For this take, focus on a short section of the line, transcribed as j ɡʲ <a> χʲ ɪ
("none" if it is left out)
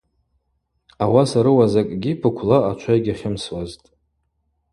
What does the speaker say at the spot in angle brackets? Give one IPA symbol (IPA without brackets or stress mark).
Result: a